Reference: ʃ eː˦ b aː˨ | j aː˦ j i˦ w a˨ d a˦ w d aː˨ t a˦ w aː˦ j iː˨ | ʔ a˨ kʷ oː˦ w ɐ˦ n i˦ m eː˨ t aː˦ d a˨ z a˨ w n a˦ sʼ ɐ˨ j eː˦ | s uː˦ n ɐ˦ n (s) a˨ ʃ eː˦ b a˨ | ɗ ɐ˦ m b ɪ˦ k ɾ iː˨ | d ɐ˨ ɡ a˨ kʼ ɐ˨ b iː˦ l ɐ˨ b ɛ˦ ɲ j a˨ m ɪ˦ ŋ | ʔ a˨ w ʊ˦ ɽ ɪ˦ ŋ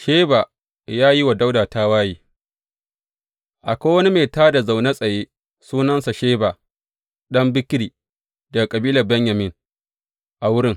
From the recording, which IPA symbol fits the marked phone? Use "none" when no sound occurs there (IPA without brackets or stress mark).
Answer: s